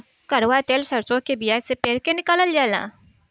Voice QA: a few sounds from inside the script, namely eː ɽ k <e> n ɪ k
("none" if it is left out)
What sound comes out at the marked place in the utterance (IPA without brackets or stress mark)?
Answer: e